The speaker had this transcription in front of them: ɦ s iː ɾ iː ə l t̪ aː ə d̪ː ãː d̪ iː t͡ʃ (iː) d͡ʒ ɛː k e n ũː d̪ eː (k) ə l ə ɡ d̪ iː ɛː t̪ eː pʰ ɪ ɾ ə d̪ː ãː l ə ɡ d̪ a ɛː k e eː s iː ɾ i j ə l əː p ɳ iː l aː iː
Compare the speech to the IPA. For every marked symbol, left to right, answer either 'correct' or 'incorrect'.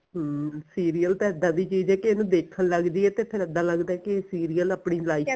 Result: correct, incorrect

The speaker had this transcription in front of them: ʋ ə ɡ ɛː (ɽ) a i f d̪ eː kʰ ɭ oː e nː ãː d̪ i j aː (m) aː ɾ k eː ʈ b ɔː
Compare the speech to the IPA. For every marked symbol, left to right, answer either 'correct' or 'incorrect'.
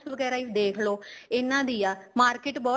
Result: incorrect, correct

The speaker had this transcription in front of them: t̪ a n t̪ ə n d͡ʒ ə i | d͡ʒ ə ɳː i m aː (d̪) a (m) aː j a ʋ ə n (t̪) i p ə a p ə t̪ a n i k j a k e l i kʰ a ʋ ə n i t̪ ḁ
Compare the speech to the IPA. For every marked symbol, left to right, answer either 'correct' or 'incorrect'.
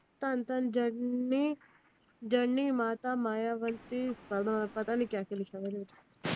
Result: incorrect, correct, correct

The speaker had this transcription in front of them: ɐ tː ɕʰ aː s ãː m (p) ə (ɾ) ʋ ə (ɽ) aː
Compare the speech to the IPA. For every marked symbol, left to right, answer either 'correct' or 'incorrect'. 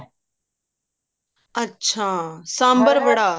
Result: incorrect, correct, correct

